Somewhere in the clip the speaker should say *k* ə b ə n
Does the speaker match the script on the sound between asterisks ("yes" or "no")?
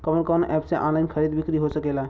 yes